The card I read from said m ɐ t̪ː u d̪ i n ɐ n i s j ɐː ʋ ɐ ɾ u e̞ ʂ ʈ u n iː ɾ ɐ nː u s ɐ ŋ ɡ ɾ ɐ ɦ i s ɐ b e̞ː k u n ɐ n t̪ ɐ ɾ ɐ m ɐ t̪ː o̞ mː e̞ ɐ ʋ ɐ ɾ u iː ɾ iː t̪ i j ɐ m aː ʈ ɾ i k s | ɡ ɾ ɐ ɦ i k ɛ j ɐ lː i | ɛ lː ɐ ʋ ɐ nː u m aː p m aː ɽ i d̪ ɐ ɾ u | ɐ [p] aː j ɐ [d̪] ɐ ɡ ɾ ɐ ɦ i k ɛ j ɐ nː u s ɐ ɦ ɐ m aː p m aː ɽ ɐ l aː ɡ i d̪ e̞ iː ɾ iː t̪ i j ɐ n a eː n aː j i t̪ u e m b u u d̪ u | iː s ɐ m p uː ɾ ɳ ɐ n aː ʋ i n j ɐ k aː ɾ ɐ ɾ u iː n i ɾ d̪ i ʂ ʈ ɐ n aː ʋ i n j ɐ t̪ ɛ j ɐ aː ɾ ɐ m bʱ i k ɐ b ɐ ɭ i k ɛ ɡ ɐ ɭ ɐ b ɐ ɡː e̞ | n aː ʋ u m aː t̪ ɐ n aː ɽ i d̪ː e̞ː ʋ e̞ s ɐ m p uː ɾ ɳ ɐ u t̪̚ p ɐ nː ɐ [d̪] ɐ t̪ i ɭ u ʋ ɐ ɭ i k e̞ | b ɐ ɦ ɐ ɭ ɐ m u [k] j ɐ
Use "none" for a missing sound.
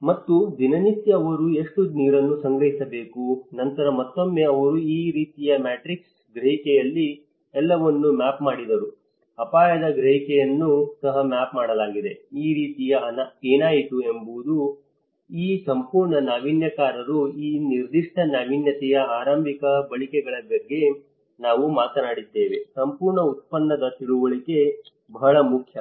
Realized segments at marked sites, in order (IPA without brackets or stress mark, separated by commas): p, d̪, d̪, kʰ